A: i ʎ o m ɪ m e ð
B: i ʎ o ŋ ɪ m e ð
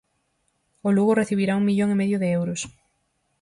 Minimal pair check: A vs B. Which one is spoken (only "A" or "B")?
B